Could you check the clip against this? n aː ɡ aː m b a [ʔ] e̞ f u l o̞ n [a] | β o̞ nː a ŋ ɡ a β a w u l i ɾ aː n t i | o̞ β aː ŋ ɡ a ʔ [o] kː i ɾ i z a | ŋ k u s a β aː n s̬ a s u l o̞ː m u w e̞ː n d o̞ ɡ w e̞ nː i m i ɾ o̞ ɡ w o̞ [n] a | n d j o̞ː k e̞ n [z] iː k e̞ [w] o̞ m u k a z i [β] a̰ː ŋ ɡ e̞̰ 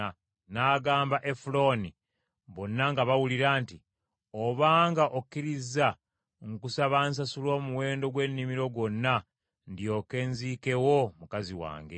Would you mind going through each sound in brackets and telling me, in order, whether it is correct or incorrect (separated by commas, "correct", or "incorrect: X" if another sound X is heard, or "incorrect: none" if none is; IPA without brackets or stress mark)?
correct, incorrect: i, correct, incorrect: nː, correct, correct, incorrect: w